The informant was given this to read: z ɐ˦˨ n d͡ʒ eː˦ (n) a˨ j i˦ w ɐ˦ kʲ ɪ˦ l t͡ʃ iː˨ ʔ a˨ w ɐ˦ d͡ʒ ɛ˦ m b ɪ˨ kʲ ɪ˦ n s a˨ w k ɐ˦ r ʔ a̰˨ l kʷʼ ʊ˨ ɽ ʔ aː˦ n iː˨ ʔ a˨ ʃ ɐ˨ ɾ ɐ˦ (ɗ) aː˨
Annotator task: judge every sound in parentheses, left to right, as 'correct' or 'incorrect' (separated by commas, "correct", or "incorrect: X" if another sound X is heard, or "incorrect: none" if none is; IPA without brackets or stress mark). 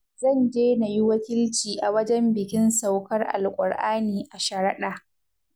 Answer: correct, correct